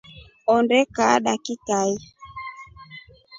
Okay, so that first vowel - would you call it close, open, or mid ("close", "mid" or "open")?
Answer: mid